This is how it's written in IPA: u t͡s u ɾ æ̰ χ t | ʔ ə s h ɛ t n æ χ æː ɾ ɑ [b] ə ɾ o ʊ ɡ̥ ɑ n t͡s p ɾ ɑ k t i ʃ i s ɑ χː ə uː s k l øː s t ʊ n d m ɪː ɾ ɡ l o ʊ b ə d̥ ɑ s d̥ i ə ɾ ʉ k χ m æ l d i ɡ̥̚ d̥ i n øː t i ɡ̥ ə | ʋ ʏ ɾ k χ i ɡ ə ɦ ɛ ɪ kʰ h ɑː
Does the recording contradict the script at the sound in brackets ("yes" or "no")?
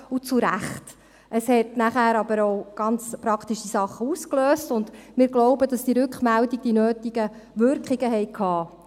no